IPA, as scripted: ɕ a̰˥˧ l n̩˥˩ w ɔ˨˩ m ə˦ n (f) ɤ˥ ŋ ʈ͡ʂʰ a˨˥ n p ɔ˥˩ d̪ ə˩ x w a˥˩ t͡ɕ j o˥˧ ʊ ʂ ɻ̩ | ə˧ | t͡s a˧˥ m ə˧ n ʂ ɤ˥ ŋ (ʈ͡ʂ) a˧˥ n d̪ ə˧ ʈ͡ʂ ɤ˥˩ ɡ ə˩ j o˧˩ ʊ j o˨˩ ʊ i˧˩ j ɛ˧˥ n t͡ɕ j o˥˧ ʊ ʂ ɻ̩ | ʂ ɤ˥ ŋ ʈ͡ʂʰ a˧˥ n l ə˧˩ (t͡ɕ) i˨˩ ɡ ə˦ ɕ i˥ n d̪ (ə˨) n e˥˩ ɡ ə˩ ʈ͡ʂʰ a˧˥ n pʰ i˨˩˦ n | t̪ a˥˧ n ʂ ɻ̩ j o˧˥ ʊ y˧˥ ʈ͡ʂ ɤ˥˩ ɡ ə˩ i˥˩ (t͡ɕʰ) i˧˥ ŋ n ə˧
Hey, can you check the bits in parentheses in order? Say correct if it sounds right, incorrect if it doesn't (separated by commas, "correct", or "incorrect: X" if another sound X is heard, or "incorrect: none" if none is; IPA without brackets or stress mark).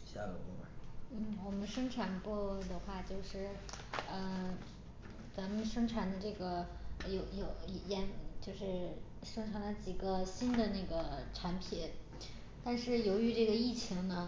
incorrect: ʂ, incorrect: ʈ͡ʂʰ, correct, correct, correct